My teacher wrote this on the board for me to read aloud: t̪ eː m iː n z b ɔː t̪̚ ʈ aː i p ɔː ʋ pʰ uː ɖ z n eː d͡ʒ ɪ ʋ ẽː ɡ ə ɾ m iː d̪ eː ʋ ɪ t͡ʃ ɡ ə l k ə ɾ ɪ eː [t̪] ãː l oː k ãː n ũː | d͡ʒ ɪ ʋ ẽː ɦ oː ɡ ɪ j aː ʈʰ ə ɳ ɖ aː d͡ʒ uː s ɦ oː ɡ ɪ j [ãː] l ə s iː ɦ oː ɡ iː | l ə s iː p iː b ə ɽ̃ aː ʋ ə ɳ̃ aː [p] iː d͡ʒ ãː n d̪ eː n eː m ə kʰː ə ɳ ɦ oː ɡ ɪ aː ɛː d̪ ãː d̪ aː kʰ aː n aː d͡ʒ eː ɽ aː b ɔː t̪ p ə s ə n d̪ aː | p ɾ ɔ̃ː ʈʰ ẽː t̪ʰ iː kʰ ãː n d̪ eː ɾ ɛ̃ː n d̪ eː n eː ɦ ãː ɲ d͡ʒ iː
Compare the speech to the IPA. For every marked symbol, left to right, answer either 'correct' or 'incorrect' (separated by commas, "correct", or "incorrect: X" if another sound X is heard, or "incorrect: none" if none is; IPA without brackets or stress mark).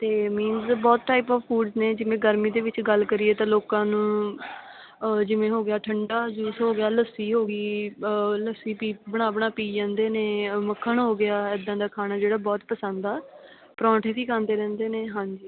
correct, incorrect: aː, correct